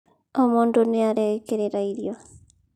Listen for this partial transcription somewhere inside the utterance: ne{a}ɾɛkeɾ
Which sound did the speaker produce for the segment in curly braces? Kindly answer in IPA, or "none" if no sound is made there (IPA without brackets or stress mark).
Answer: a